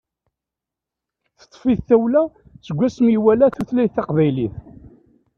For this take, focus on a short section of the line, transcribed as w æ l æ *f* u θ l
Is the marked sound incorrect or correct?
incorrect